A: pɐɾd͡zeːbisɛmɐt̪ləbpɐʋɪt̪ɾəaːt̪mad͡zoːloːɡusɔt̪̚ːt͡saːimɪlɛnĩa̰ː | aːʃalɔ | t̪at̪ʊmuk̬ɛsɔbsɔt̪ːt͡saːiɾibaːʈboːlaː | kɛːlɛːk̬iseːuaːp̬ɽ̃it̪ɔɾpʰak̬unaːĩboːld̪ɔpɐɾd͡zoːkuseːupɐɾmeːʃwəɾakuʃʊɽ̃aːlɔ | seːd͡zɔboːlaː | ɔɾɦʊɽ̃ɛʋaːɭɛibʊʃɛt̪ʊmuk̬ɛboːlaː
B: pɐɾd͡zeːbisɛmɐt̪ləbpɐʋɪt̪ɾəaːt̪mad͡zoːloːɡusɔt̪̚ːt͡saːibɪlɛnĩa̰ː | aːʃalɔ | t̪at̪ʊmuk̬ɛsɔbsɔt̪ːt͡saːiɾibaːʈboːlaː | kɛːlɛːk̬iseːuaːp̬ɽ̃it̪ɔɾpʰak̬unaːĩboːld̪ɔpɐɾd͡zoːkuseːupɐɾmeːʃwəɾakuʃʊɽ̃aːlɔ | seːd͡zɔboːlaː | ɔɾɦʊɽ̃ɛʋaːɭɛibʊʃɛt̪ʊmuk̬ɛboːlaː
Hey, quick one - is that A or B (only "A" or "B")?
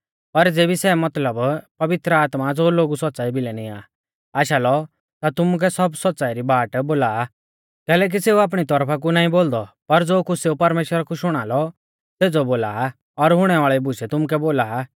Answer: B